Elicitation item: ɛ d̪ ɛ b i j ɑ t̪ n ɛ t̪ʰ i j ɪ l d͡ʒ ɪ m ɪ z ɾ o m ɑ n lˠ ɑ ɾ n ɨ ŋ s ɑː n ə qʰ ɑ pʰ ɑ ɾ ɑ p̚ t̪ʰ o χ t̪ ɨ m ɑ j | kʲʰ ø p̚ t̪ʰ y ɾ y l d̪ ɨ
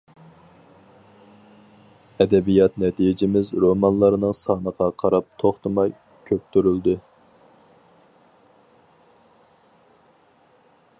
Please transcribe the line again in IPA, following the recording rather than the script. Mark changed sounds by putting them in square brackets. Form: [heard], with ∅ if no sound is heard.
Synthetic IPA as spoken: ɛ d̪ ɛ b i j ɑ t̪ n ɛ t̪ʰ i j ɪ [∅] d͡ʒ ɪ m ɪ z ɾ o m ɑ n lˠ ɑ ɾ n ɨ ŋ s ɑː n ə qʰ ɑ [qʰ] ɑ ɾ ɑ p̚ t̪ʰ o χ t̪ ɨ m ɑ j | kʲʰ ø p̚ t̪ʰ y ɾ y l d̪ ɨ